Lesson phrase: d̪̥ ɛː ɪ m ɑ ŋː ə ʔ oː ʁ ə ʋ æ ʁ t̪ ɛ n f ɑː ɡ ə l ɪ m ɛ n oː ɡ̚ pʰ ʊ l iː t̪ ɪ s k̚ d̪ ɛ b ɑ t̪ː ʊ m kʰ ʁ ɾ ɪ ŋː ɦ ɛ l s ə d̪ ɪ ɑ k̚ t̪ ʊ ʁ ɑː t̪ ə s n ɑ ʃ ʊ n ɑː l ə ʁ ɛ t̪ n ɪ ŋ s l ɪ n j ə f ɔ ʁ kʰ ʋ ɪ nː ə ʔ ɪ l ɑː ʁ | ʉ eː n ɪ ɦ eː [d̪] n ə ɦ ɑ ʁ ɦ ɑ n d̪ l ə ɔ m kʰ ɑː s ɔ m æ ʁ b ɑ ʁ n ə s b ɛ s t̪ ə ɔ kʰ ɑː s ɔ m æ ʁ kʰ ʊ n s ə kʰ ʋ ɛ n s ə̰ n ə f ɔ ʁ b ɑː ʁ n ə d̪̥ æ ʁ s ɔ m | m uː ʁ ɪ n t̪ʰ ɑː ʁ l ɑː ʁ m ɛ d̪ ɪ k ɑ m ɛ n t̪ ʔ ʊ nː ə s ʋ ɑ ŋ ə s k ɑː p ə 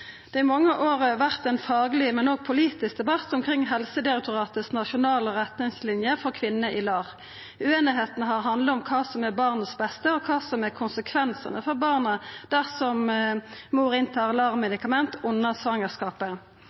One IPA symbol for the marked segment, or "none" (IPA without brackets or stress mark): t̪